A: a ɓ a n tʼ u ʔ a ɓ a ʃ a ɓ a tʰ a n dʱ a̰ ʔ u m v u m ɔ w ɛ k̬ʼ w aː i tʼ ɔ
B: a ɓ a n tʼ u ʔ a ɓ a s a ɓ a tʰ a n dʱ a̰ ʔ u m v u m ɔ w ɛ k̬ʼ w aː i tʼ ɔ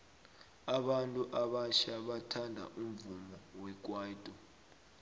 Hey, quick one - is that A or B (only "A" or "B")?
A